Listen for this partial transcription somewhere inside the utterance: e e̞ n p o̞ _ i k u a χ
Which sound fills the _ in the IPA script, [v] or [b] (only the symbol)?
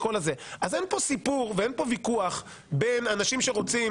v